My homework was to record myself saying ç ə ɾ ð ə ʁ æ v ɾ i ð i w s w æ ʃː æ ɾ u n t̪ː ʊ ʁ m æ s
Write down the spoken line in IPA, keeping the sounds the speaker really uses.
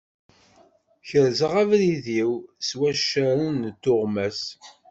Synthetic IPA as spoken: ç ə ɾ z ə ʁ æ v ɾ i ð i w s w æ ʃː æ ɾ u n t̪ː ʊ ʁ m æ s